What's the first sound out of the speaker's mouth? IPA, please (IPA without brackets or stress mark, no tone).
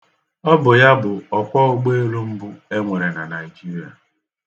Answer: ɔ